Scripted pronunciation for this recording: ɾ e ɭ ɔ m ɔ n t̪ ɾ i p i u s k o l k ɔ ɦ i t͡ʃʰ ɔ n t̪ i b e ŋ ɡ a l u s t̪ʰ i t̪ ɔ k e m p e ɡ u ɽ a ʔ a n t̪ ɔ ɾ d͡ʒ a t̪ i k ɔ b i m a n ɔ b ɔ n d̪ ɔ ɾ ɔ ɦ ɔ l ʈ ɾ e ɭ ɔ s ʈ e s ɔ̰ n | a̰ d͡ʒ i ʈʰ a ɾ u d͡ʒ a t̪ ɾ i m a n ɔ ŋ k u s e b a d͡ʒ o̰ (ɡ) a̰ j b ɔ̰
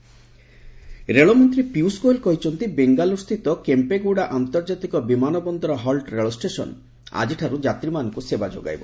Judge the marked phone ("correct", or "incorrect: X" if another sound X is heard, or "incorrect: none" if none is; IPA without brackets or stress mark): correct